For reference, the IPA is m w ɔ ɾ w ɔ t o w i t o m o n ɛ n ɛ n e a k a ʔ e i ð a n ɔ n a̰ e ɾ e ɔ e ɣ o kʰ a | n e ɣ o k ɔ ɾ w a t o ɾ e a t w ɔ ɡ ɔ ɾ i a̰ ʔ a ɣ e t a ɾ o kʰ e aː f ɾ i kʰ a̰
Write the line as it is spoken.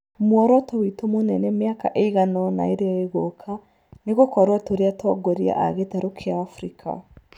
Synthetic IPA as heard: m w ɔ ɾ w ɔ t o w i t o m o n ɛ n ɛ m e a k a ʔ e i ɣ a n ɔ n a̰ e ɾ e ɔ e ɣ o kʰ a | n e ɣ o k ɔ ɾ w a t o ɾ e a t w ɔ ɡ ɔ ɾ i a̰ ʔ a ɣ e t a ɾ o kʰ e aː f ɾ i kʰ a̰